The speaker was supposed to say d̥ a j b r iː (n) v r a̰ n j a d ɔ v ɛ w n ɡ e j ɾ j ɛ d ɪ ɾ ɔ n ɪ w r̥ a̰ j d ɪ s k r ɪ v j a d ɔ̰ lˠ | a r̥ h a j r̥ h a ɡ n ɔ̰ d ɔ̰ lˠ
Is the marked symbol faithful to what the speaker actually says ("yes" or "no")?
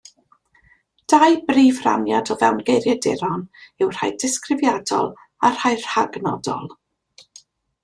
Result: no